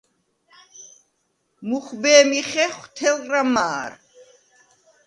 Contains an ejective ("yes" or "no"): no